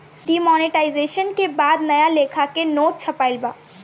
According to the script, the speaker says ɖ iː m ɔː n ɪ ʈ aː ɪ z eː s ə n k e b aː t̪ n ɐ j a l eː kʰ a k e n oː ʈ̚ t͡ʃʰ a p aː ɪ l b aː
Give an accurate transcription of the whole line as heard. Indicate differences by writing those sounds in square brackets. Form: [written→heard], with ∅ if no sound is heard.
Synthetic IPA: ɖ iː m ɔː n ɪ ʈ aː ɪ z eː [s→ʃ] ə n k e b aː [t̪→d̪] n ɐ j a l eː kʰ a k e n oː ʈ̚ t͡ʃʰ [a→ɐ] p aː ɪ l b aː